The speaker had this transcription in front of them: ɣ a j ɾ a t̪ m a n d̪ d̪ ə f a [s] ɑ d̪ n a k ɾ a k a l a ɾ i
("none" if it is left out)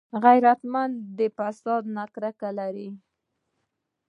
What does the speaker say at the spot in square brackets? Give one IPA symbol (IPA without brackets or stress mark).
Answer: s